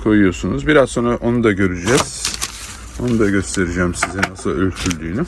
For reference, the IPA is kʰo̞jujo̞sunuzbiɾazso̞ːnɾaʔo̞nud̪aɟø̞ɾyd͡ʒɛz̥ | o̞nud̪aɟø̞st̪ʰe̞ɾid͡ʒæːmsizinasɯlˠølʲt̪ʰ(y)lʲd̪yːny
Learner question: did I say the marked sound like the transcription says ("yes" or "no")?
yes